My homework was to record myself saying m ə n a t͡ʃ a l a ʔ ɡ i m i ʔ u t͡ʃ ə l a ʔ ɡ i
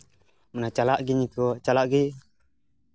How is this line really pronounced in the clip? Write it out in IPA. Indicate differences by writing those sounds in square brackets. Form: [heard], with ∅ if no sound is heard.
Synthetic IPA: m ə n a t͡ʃ a l a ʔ ɡ i [ɲ] i [k] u t͡ʃ [a] l a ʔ ɡ i